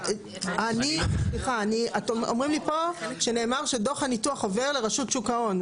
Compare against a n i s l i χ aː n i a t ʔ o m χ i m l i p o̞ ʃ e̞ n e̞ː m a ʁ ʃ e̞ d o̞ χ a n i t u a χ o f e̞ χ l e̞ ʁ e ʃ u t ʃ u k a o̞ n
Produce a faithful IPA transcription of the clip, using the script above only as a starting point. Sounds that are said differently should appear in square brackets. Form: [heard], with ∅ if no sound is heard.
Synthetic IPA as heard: a n i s l i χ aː n i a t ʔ o m [ʁ] i m l i p o̞ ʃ e̞ n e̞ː m a ʁ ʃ e̞ d o̞ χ a n i t u a χ o [v] e̞ [ʁ] l e̞ ʁ [a] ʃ u t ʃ u k a o̞ n